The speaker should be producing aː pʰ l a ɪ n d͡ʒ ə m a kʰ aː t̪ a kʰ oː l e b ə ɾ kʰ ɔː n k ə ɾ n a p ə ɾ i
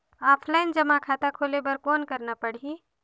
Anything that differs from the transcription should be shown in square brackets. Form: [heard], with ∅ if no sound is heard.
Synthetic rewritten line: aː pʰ l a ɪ n d͡ʒ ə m a kʰ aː t̪ a kʰ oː l e b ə ɾ [k] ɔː n k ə ɾ n a p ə [ɽ] i